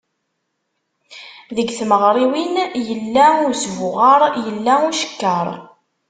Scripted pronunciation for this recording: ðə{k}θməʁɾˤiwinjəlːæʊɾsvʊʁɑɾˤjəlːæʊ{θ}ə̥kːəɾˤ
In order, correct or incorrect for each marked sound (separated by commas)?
incorrect, incorrect